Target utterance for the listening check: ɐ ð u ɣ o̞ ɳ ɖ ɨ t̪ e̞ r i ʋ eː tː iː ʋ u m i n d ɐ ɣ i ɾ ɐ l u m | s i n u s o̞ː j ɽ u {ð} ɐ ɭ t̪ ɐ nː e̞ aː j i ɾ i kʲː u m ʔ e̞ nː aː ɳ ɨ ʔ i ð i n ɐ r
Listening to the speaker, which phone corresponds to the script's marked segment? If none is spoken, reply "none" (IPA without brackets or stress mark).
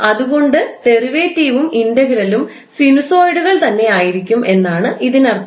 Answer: ɣ